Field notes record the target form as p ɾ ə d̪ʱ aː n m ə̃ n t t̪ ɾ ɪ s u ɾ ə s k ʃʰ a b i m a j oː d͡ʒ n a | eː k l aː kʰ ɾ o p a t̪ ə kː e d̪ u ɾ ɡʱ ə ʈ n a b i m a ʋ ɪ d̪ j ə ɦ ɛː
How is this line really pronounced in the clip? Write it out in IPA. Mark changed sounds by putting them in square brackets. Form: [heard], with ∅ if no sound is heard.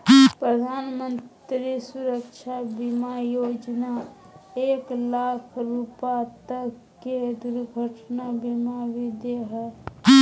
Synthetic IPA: p ɾ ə d̪ʱ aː n m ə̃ n t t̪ ɾ [i] s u ɾ ə [∅] k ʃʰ a b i m a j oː d͡ʒ n a | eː k l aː kʰ ɾ [u] p a t̪ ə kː e d̪ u ɾ ɡʱ ə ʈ n a b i m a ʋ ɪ d̪ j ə ɦ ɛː